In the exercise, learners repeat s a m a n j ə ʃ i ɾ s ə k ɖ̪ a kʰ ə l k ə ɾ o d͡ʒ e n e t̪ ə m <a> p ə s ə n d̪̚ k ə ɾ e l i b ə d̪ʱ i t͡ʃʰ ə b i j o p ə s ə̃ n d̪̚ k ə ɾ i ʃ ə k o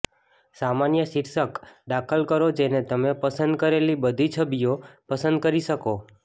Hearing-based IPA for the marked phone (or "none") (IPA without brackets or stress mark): e